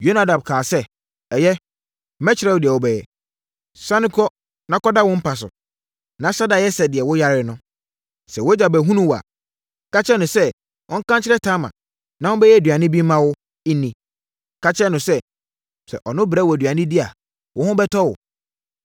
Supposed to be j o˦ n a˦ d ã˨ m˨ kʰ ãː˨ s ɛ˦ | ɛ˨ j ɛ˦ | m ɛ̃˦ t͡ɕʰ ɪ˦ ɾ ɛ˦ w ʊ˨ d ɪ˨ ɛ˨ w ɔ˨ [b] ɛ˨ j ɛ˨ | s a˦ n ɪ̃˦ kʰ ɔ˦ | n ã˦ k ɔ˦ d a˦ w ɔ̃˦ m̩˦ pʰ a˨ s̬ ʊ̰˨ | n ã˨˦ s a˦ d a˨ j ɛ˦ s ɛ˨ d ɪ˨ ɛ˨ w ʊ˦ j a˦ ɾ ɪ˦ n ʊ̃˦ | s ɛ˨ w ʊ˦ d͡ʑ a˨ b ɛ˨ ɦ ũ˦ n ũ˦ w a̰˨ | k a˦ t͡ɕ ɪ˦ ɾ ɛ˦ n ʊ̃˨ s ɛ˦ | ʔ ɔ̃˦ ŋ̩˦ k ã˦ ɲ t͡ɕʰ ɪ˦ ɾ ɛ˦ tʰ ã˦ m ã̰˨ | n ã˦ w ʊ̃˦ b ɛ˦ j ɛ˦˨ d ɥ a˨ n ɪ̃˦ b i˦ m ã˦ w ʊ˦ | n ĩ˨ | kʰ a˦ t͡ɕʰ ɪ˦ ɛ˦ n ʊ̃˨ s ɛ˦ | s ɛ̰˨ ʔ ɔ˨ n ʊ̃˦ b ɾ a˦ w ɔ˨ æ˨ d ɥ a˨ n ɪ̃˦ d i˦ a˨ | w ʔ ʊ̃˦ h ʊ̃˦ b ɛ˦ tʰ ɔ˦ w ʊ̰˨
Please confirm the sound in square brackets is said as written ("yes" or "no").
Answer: yes